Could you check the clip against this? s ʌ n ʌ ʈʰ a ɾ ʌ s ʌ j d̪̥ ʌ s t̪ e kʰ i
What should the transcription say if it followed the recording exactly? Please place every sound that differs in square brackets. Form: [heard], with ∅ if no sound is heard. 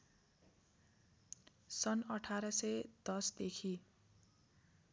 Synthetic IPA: s ʌ n ʌ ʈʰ a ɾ ʌ s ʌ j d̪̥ ʌ s [d̪] e kʰ i